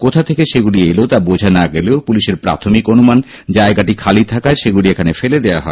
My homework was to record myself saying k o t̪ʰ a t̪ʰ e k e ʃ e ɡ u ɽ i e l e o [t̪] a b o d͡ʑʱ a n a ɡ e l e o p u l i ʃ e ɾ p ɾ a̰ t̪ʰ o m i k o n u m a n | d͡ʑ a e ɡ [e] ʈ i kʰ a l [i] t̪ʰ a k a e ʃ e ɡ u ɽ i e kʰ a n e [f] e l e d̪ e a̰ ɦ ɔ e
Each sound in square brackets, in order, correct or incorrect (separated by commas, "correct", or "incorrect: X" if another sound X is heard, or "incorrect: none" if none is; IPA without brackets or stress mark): correct, incorrect: a, correct, correct